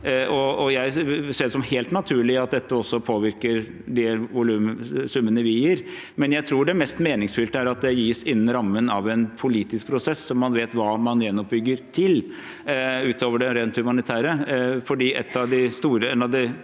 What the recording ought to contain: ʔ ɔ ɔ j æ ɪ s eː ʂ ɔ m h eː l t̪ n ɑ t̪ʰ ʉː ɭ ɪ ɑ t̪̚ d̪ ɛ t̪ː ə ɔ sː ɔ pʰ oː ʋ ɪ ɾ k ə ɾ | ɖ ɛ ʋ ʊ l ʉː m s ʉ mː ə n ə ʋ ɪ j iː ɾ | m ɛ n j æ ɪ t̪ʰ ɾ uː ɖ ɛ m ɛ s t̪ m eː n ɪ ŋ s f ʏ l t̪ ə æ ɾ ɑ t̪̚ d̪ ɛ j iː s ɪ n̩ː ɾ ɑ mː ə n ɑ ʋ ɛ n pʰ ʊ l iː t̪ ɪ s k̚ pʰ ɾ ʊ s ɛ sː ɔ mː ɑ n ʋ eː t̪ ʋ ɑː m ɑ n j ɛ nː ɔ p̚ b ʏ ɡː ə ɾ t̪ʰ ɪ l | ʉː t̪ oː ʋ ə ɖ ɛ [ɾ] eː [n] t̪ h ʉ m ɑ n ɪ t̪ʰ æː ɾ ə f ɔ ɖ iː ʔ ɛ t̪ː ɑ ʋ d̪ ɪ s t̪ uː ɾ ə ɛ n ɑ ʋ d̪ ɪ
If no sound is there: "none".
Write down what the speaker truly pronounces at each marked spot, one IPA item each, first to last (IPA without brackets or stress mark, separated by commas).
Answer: ɾ, n